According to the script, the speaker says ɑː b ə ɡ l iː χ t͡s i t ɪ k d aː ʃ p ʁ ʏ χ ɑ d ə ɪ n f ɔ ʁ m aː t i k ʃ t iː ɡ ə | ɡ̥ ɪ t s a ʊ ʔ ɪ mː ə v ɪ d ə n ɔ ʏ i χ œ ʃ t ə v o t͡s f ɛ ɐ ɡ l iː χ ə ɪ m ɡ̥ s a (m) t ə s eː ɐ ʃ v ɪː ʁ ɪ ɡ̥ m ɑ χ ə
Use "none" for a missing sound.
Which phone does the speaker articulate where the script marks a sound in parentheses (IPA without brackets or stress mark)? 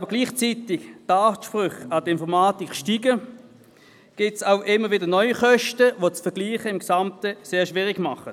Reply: m